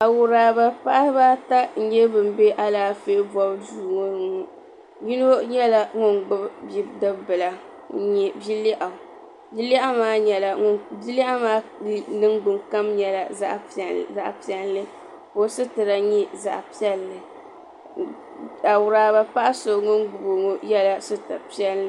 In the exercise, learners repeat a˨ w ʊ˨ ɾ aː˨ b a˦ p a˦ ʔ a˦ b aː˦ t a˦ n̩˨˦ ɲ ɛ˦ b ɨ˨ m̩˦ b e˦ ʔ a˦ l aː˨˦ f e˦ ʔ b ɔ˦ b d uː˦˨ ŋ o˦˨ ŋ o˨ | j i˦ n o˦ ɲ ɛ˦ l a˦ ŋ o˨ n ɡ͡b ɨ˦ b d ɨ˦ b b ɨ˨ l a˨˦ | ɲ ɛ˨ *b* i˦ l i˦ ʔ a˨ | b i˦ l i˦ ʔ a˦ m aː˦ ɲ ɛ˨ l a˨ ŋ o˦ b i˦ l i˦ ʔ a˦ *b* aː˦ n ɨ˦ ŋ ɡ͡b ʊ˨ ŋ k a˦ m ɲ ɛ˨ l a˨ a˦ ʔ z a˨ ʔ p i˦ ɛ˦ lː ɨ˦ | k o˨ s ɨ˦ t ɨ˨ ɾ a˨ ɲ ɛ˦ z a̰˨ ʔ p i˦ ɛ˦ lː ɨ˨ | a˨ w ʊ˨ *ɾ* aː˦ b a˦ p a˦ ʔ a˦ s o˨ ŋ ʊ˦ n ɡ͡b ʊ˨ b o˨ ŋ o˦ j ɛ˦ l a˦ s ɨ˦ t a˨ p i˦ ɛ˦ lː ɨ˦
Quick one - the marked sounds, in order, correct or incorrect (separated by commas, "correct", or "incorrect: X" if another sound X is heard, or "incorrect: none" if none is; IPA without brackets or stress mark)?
correct, incorrect: m, correct